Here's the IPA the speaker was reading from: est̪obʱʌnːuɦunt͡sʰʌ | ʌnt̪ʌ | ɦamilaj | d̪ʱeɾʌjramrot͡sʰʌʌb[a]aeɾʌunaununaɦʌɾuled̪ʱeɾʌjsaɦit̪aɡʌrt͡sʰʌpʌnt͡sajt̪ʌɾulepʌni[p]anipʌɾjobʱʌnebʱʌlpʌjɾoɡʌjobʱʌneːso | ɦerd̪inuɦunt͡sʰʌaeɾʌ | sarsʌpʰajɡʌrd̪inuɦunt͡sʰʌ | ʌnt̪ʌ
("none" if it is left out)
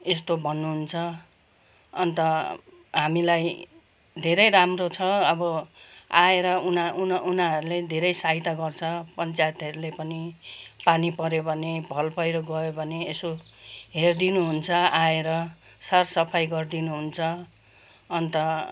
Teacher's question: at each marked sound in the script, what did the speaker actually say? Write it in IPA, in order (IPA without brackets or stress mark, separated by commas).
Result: ʌ, p